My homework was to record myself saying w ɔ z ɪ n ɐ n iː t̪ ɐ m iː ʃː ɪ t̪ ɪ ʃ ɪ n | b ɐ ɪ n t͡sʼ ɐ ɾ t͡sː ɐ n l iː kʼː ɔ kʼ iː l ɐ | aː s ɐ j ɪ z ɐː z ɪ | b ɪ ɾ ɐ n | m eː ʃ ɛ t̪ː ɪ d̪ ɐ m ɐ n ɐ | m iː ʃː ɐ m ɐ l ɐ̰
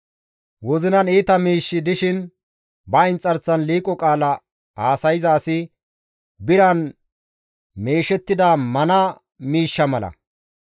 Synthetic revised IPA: w ɔ z ɪ n ɐ n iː t̪ ɐ m iː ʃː ɪ d̪ ɪ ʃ ɪ n | b ɐ ɪ n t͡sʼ ɐ ɾ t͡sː ɐ n l iː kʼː ɔ kʼ aː l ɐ | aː s ɐ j ɪ z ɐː s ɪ | b ɪ ɾ ɐ n | m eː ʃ ɛ t̪ː ɪ d̪ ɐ m ɐ n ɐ | m iː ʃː ɐ m ɐ l ɐ̰